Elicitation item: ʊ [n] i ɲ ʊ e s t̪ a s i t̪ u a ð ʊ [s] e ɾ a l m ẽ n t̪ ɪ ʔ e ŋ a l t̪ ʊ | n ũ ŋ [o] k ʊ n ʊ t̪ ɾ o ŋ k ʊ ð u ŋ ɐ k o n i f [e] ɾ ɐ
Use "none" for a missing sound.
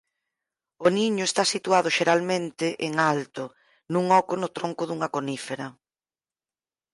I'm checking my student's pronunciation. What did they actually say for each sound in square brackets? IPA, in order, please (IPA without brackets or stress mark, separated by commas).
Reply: n, ʃ, ɔ, e